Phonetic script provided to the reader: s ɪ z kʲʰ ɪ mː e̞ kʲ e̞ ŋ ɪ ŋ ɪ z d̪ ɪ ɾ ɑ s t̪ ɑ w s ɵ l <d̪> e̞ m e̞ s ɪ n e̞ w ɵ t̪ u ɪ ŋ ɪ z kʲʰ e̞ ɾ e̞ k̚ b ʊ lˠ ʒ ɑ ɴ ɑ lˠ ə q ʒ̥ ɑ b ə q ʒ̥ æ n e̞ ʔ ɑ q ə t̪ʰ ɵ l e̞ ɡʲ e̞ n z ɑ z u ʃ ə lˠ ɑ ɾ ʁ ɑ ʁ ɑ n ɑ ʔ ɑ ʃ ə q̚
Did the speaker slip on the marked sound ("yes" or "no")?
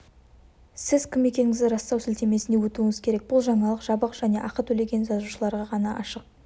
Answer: yes